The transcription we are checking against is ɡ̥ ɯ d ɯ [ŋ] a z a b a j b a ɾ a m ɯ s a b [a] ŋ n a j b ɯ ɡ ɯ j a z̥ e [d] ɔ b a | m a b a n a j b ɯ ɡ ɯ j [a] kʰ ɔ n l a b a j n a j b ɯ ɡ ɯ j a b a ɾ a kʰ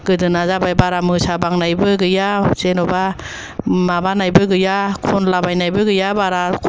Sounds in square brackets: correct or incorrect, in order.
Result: incorrect: n, correct, incorrect: n, correct

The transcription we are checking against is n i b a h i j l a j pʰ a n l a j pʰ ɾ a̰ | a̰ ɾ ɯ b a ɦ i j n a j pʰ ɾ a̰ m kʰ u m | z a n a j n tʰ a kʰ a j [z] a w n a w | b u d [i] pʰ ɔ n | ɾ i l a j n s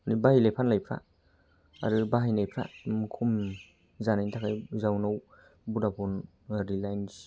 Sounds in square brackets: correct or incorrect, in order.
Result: correct, incorrect: a

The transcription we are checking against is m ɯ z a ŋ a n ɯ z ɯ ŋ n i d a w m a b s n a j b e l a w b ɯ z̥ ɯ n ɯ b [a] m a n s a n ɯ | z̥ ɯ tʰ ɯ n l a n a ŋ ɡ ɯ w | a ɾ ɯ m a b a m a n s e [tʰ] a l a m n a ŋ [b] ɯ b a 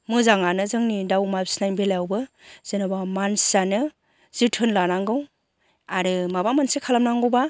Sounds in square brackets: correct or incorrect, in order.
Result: correct, incorrect: kʰ, incorrect: ɡ

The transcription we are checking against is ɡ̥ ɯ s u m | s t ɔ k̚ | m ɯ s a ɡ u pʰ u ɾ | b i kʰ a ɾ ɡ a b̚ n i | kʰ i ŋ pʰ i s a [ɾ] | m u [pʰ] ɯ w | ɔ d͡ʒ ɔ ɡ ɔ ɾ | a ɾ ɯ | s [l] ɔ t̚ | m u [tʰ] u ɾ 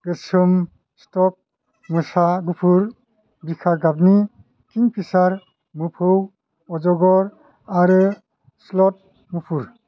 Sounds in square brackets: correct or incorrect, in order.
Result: correct, correct, correct, incorrect: pʰ

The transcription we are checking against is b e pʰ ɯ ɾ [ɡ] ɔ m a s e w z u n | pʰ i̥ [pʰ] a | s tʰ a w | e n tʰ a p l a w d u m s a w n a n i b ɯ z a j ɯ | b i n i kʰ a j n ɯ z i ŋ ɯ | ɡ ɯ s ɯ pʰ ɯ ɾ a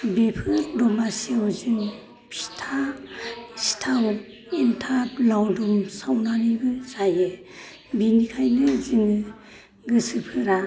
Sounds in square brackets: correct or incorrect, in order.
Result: incorrect: d, incorrect: tʰ

